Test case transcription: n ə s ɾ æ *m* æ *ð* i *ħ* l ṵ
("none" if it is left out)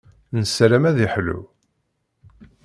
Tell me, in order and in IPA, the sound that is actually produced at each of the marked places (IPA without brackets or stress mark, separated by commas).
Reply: m, ð, ħ